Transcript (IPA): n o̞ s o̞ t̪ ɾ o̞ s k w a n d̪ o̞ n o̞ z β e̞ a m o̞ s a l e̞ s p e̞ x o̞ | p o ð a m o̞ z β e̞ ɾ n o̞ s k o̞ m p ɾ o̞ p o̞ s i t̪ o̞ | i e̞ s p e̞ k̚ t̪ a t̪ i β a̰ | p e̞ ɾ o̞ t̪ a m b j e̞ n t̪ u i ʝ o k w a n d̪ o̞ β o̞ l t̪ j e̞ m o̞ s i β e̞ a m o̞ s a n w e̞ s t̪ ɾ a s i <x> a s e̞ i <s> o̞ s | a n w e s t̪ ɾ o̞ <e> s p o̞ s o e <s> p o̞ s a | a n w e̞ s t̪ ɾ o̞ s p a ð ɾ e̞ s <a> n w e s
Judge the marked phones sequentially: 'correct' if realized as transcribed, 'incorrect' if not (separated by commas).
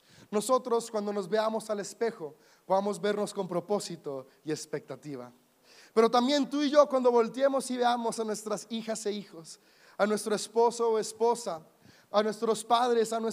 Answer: correct, incorrect, correct, correct, correct